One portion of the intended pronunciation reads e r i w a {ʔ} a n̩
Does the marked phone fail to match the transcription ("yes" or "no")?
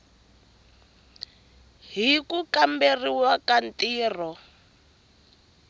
yes